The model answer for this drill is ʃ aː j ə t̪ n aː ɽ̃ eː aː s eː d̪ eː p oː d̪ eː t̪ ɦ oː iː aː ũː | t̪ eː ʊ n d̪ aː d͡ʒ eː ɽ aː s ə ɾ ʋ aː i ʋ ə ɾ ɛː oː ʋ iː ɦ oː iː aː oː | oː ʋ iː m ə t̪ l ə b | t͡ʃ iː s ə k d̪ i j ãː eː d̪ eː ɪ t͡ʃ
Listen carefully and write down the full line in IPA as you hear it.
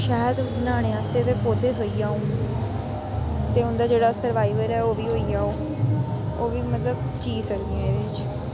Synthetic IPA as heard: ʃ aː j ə d̪ n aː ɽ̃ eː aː s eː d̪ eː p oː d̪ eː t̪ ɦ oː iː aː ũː | t̪ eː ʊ n d̪ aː d͡ʒ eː ɽ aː s ə ɾ ʋ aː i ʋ ə ɾ ɛː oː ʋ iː ɦ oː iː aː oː | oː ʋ iː m ə t̪ l ə b | t͡ʃ iː s ə k d̪ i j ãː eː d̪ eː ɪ t͡ʃ